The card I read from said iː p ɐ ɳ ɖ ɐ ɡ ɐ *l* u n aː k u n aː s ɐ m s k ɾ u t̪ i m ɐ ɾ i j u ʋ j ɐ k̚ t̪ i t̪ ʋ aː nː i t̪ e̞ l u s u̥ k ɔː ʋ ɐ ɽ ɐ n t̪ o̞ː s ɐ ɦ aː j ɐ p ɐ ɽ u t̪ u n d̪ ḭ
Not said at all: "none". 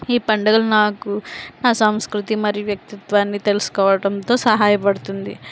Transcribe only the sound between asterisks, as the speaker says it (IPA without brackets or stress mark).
l